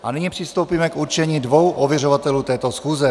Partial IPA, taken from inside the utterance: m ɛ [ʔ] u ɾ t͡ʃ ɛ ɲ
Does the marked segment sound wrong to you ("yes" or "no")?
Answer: yes